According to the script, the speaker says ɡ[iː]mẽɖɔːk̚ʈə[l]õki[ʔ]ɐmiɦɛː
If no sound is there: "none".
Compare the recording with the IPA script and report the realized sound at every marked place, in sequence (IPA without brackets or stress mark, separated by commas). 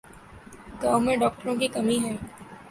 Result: aː, ɾ, k